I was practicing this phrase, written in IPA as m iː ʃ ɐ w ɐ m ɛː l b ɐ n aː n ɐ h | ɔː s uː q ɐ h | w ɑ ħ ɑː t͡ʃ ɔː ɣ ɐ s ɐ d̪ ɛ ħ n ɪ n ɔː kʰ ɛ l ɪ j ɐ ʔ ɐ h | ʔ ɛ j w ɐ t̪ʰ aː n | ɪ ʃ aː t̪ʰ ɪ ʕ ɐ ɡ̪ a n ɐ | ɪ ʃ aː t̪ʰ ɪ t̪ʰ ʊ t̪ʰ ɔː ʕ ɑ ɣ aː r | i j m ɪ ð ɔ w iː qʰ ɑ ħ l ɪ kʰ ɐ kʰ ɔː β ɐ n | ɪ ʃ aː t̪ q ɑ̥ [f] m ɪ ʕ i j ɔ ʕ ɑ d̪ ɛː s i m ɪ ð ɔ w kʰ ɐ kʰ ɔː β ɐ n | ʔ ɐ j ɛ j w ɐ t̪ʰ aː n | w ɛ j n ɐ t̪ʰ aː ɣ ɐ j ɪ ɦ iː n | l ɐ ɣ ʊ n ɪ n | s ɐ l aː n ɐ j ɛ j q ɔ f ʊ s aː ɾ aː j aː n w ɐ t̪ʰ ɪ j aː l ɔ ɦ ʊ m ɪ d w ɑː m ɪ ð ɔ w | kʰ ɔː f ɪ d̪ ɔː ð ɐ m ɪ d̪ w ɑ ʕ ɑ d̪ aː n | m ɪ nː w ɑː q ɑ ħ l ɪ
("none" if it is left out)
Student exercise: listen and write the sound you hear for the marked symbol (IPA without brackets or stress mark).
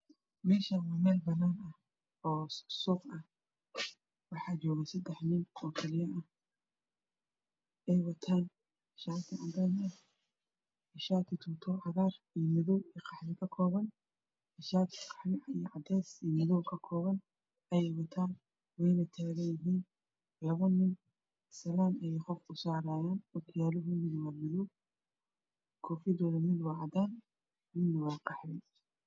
ħ